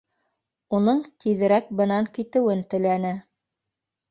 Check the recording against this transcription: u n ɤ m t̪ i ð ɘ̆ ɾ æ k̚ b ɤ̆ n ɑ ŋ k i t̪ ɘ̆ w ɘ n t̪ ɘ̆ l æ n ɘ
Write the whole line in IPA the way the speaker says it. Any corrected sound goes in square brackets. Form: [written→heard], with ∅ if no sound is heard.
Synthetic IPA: u n ɤ [m→ɴ] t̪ i ð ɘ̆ ɾ æ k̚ b ɤ̆ n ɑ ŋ k i t̪ ɘ̆ w ɘ n t̪ ɘ̆ l æ n ɘ